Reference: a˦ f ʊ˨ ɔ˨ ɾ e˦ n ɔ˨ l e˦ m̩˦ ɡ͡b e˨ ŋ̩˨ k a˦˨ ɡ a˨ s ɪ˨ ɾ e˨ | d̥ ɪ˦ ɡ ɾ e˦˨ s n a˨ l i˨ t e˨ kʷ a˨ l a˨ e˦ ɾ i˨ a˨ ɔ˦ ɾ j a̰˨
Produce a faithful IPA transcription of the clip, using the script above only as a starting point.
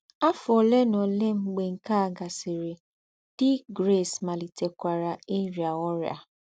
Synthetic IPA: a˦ f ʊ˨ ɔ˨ l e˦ n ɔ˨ l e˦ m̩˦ ɡ͡b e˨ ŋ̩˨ k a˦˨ ɡ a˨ s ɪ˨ ɾ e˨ | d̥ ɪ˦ ɡ ɾ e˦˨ s m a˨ l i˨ t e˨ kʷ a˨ ɾ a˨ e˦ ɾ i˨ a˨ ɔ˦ ɾ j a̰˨